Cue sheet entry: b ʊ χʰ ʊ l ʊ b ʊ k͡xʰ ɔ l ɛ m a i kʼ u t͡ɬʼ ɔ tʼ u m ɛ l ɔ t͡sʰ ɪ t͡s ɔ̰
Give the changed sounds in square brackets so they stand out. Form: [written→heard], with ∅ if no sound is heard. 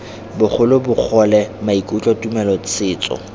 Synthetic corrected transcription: b ʊ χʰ ʊ l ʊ b ʊ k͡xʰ ɔ l ɛ m a i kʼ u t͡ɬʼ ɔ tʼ u m ɛ l ɔ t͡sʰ [ɪ→ɪː] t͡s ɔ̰

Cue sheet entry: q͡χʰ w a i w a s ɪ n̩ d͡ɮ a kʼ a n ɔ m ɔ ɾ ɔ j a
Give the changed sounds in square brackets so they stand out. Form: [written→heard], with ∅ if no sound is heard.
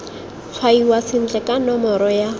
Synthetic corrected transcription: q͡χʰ w a i w a s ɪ n̩ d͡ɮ [a→ɛ] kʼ a n ɔ m ɔ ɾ ɔ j a

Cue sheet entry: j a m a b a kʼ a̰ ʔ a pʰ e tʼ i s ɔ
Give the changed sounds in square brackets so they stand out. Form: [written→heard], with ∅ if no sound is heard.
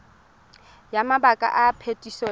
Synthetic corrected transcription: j a m a b a kʼ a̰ ʔ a pʰ e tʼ i s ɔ

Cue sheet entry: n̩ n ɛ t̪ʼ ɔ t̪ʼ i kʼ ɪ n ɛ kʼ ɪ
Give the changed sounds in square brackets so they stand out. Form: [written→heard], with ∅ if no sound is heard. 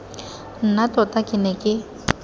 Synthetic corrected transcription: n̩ n [ɛ→a] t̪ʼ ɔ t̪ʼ [i→a] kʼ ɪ n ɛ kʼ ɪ

